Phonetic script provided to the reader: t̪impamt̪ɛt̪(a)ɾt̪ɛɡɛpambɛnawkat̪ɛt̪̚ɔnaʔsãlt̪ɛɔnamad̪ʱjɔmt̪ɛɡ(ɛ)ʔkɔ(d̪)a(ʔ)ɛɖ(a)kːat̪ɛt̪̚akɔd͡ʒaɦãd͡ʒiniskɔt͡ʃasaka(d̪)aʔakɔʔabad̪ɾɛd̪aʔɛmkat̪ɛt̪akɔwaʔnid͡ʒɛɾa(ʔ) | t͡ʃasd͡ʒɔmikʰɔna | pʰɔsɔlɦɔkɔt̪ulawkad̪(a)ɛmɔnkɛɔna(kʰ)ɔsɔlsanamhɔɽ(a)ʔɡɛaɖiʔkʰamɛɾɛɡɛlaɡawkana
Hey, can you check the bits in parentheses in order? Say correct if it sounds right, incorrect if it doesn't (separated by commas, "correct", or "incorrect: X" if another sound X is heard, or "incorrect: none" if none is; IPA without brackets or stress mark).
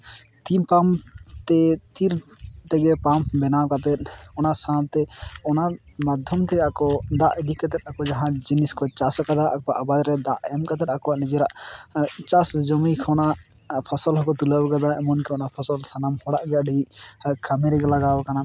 incorrect: i, incorrect: a, correct, correct, incorrect: i, correct, correct, correct, incorrect: pʰ, correct